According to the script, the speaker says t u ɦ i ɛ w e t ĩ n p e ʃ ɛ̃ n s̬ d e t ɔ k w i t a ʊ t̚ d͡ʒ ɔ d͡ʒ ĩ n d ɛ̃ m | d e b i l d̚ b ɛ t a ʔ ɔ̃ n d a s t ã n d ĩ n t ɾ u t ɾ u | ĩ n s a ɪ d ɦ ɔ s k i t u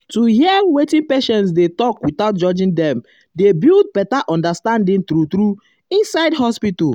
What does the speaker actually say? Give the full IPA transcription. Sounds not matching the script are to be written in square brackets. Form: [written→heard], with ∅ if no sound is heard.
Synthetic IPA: t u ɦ i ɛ w e t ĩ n p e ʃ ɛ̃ n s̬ d e t ɔ k w i t a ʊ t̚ d͡ʒ ɔ d͡ʒ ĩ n d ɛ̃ m | d e b i l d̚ b ɛ t a ʔ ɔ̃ n d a s t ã n d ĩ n t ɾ u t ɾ u | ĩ n s a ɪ d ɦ ɔ s [k→p] i t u

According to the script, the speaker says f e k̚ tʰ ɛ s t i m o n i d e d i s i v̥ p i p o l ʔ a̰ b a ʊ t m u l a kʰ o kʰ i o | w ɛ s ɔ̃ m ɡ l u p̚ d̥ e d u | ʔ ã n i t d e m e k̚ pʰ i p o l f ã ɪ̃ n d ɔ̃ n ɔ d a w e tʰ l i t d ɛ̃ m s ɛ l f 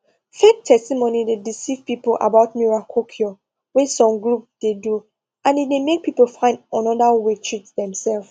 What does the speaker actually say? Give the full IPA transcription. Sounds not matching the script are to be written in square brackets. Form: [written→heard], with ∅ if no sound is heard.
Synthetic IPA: f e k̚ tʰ ɛ s t i m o n i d e d i s i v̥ p i p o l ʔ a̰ b a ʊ t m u [l→ɹ] a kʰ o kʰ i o | w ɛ s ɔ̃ m ɡ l u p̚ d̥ e d u | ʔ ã n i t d e m e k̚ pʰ i p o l f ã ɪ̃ n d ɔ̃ n ɔ d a w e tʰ [l→ɹ] i t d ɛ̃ m s ɛ l f

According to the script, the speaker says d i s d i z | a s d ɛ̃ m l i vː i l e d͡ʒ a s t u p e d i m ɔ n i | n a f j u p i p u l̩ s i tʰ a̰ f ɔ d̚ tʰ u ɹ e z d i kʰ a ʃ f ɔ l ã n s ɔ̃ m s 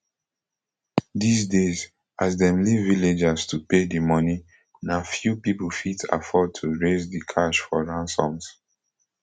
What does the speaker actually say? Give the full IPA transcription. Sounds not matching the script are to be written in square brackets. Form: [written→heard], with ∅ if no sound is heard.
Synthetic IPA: d i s d [i→e] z | a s d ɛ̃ m l i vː i l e d͡ʒ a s t u p e d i m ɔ n i | n a f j u p i p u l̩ [s→f] i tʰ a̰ f ɔ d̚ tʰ u ɹ e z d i kʰ a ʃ f ɔ [l→ɹ] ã n s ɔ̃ m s

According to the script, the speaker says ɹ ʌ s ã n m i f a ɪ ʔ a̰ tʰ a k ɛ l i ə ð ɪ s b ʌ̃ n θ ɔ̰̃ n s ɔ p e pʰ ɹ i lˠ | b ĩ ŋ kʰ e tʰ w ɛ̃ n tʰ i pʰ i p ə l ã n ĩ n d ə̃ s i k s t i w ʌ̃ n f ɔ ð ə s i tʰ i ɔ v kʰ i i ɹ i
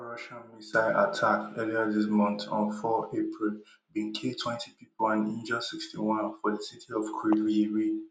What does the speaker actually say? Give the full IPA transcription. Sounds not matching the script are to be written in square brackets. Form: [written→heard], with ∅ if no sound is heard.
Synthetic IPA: ɹ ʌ [s→ʃ] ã n m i [f→s] a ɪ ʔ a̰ tʰ a k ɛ l i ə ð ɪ s [b→m] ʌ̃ n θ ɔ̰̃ n [s→f] ɔ [p→∅] e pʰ ɹ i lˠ | b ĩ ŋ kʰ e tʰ w ɛ̃ n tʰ i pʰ i p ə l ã n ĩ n [d→d͡ʒ] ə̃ s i k s t i w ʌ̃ n f ɔ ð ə s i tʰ i ɔ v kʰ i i ɹ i

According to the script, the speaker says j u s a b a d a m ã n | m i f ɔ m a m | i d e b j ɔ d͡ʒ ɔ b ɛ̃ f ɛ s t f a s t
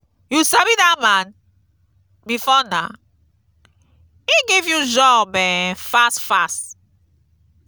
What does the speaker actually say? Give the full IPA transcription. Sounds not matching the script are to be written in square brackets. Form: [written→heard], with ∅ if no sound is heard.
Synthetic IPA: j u s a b [a→i] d a m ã n | m i f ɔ [m→n] a [m→∅] | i [d→ɡ] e [b→v] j [ɔ→u] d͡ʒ ɔ b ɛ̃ f [ɛ→a] s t f a s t

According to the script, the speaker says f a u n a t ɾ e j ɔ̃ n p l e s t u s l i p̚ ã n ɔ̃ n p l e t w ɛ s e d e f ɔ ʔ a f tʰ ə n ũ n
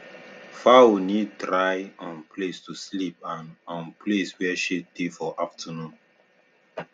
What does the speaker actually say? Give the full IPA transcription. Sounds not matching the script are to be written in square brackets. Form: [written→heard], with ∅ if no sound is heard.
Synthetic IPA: f a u n [a→i] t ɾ [e→a] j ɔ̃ n p l e s t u s l i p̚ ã n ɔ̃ n p l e [t→s] w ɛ [s→ʃ] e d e f ɔ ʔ a f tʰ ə n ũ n

